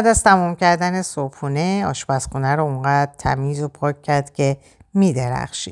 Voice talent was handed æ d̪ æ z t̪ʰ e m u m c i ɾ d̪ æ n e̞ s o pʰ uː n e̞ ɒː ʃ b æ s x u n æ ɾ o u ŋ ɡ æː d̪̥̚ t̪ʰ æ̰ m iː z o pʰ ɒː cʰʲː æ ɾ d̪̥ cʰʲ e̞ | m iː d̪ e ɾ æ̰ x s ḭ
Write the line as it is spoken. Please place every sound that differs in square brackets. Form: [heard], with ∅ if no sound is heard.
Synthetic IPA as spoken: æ d̪ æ z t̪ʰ [æ] m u m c [æ] ɾ d̪ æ n e̞ s o pʰ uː n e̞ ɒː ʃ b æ s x u n æ ɾ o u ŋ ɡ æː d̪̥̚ t̪ʰ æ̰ m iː z o pʰ ɒː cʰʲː æ ɾ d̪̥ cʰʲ e̞ | m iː d̪ e ɾ æ̰ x [ʃ] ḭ